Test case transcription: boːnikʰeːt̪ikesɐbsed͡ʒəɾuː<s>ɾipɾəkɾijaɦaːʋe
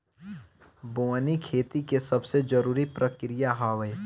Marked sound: incorrect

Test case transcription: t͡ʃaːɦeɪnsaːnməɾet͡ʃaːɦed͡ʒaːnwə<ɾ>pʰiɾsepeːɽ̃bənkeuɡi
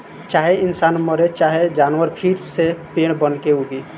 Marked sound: correct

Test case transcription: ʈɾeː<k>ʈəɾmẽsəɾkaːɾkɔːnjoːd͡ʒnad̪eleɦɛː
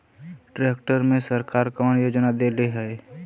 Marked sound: correct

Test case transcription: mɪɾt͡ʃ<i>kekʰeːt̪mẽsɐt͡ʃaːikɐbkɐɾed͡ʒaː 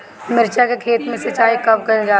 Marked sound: incorrect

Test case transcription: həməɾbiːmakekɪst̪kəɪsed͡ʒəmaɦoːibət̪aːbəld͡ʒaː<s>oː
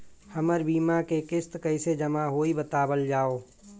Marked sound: incorrect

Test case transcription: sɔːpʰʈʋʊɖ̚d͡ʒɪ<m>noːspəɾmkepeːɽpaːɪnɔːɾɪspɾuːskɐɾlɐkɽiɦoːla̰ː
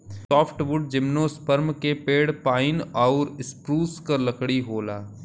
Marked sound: correct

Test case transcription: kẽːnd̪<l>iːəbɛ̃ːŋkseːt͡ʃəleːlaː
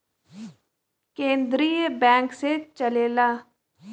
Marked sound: incorrect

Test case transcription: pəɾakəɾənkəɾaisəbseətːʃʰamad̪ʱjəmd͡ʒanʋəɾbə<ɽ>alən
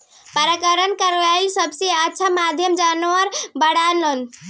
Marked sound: correct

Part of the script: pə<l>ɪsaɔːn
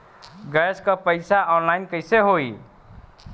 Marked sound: incorrect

